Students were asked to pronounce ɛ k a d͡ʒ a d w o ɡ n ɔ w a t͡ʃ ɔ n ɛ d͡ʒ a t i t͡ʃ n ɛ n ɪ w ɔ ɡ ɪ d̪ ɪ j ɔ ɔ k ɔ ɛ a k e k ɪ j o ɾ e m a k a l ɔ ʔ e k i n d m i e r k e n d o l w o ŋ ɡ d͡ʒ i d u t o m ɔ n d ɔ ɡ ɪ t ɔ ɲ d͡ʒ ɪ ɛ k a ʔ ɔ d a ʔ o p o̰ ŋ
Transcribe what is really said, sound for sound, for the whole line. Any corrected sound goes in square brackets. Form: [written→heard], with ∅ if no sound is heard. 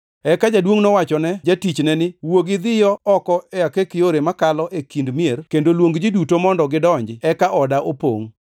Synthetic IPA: ɛ k a d͡ʒ a d w o [ɡ→ŋ] n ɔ w a t͡ʃ ɔ n ɛ d͡ʒ a t i t͡ʃ n ɛ n ɪ w [ɔ→o] ɡ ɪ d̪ ɪ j ɔ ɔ k ɔ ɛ a k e k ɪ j o ɾ e m a k a l ɔ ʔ e k i n d m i e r k e n d o l w o ŋ ɡ d͡ʒ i d u t o m ɔ n d ɔ ɡ ɪ [t→d] ɔ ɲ d͡ʒ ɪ ɛ k a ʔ ɔ d a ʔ o p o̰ ŋ